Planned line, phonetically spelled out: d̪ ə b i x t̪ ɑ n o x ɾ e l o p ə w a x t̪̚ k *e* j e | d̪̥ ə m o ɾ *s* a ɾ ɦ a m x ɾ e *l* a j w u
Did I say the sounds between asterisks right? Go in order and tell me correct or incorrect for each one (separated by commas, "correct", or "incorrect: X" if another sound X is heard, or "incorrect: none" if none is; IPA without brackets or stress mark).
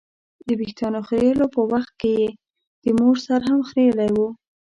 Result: correct, correct, correct